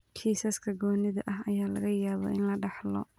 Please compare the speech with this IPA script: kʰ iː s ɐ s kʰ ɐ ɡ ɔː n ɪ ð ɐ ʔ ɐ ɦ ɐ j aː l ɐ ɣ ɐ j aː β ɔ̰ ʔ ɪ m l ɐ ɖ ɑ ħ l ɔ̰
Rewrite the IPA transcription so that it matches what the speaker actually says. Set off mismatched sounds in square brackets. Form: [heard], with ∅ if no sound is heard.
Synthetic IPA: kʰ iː s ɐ s kʰ ɐ ɡ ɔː n ɪ ð ɐ ʔ ɐ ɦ ɐ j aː l ɐ ɣ ɐ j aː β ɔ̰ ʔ ɪ [n] l ɐ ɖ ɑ ħ l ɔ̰